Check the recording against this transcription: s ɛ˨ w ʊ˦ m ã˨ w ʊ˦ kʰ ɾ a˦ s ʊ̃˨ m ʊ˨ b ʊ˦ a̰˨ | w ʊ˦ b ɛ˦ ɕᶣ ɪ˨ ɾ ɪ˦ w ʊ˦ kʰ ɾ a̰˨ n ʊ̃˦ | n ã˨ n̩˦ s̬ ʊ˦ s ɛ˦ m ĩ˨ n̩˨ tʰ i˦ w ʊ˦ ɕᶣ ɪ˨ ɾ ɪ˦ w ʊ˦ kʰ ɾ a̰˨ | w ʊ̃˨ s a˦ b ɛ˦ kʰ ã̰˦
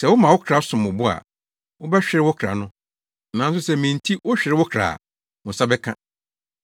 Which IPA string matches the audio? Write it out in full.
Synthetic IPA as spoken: s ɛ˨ w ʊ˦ m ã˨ w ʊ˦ kʰ ɾ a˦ s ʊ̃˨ m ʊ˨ b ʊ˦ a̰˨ | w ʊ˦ b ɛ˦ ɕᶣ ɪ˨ ɾ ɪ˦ w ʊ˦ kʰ ɾ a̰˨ n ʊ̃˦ | n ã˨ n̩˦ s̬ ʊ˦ s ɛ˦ m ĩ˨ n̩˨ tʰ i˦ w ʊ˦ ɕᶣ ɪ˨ ɾ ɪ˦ w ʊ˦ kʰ ɾ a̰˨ | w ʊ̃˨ s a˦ b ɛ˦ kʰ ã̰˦

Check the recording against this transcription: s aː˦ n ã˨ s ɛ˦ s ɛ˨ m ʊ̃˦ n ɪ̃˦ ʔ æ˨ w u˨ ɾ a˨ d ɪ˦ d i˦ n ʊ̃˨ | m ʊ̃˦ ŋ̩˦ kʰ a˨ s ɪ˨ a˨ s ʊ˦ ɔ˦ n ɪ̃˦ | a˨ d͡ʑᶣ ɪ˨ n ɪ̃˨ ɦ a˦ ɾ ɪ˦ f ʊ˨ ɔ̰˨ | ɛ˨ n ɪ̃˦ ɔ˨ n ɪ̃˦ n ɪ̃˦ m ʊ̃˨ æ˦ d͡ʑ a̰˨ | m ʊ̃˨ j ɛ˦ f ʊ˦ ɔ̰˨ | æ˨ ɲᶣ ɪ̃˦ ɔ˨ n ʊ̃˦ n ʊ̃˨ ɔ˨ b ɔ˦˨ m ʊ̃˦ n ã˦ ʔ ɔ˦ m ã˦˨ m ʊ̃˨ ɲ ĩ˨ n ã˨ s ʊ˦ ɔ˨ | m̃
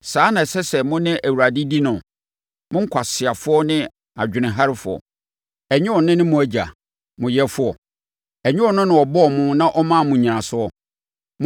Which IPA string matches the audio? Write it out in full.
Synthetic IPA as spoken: s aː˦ n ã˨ s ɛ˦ s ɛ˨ m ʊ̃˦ n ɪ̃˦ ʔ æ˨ w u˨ ɾ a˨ d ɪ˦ d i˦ n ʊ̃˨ | m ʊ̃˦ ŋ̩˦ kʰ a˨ s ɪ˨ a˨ f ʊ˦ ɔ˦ n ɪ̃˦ | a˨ d͡ʑᶣ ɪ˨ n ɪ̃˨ ɦ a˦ ɾ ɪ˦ f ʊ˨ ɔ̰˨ | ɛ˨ ɲ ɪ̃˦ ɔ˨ n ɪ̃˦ n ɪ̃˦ m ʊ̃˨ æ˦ d͡ʑ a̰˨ | m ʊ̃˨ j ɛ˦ f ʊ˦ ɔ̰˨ | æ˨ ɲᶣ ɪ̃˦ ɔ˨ n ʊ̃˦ n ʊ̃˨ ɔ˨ b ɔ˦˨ m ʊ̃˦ n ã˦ ʔ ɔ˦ m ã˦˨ m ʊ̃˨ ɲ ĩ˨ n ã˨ s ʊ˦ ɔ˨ | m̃

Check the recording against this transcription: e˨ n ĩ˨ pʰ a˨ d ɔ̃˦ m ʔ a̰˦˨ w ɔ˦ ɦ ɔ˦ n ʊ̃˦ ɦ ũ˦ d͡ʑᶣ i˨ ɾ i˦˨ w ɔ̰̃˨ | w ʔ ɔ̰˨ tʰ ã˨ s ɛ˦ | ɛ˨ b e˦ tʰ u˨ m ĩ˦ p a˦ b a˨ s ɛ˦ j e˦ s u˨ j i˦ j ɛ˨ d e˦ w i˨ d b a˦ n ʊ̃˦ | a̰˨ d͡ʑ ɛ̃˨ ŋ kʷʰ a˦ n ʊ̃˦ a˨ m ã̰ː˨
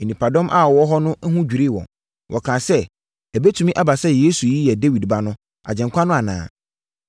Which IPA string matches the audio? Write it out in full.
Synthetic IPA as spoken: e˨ n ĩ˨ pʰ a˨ d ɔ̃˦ m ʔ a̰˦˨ w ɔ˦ ɦ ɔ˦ n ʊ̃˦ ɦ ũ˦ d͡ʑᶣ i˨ ɾ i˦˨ w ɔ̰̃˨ | w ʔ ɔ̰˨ kʰ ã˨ s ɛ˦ | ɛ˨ b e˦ tʰ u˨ m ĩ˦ ʔ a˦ b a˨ s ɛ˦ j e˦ s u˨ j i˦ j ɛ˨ d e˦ w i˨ d b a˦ n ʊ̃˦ | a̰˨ d͡ʑ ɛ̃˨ ŋ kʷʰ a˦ n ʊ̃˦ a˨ n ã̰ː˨

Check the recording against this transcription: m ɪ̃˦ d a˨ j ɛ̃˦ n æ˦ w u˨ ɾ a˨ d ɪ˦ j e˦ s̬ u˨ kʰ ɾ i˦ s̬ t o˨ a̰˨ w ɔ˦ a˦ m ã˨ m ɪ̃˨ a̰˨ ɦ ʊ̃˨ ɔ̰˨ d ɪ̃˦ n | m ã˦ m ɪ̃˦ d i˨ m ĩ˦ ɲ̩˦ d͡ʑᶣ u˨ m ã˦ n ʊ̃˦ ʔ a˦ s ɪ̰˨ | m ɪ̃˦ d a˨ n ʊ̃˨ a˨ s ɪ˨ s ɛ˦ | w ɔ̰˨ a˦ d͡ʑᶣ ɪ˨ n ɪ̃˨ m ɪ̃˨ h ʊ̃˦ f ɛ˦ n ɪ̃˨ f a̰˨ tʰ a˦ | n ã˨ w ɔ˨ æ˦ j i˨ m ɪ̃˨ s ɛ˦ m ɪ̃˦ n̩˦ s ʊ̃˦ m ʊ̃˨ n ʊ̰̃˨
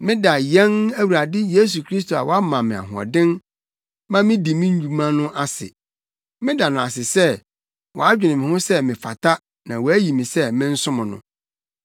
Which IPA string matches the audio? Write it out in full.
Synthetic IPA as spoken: m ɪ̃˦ d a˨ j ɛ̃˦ n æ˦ w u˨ ɾ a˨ d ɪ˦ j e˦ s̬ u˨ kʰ ɾ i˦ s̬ t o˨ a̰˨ w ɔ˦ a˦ m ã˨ m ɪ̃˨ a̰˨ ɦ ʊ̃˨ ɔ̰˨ d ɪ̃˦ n | m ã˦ m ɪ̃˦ d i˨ m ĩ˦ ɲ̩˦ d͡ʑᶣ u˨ m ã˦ n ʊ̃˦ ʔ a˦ s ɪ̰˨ | m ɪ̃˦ d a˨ n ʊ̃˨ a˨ s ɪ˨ s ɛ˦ | w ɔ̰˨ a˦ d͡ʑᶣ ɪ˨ n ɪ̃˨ m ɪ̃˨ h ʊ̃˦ s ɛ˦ m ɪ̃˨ f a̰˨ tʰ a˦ | n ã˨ w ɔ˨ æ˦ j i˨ m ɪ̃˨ s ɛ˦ m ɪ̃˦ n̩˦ s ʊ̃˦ m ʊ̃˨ n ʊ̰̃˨

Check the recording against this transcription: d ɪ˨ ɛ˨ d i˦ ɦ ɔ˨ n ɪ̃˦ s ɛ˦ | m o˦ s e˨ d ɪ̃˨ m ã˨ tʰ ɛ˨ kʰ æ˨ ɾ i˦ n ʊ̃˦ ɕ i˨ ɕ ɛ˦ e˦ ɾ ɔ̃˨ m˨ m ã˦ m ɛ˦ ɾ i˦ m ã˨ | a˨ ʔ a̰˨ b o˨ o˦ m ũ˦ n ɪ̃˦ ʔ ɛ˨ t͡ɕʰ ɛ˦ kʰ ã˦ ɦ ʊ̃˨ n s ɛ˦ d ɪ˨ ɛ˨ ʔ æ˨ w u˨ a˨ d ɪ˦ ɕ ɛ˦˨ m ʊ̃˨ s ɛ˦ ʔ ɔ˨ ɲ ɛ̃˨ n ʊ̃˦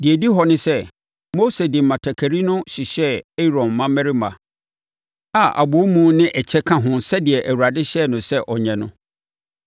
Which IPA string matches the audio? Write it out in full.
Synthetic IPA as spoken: d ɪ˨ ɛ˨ d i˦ ɦ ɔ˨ n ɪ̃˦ s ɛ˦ | m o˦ s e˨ d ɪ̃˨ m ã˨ tʰ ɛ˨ kʰ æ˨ ɾ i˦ n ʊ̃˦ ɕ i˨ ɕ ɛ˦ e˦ ɾ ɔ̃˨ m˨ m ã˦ m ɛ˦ ɾ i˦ m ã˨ | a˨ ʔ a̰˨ b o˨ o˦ m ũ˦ n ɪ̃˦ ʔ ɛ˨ t͡ɕʰ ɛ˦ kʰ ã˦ ɦ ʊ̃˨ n s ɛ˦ d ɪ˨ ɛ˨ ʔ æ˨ w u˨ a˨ d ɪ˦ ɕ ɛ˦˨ n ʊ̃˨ s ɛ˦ ʔ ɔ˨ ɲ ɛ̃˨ n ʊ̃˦

